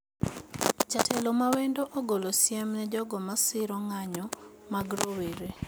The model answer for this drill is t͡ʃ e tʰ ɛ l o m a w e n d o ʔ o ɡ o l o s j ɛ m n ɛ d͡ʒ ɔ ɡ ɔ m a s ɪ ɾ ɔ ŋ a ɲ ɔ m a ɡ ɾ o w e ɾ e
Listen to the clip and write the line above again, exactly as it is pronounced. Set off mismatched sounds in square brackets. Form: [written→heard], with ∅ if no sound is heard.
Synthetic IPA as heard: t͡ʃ [e→a] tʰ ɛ l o m a w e n d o ʔ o ɡ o l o s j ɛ m n ɛ d͡ʒ ɔ ɡ ɔ m a s ɪ ɾ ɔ ŋ a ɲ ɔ m a ɡ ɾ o w e ɾ e